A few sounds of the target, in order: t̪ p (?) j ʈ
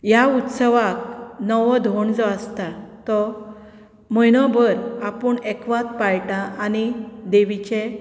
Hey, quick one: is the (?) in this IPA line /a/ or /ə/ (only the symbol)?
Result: a